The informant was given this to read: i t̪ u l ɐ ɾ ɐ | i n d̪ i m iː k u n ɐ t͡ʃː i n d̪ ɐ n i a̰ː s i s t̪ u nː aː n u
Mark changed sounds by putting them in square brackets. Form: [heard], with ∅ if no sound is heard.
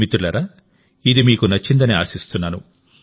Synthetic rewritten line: i t̪ u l ɐ ɾ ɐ | i [∅] d̪ i m iː k u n ɐ t͡ʃː i n d̪ ɐ n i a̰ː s i s t̪ u nː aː n u